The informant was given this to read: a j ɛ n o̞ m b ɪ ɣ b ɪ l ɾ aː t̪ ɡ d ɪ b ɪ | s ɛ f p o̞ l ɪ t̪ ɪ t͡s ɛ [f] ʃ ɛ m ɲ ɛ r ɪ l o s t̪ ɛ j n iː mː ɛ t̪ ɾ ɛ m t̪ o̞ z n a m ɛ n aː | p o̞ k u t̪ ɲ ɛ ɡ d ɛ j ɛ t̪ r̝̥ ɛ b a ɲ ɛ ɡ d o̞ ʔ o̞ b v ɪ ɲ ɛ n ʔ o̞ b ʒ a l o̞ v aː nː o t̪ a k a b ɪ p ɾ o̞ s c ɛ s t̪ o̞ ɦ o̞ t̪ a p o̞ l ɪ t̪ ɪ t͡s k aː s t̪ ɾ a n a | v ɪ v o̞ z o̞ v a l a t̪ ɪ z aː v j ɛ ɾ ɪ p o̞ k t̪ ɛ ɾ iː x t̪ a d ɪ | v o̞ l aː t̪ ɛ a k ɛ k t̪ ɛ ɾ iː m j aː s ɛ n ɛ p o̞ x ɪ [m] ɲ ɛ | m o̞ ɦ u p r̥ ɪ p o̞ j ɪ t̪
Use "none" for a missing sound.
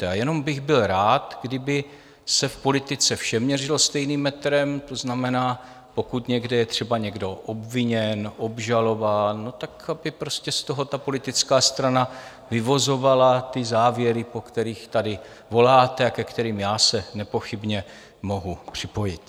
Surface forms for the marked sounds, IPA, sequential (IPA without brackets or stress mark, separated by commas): f, b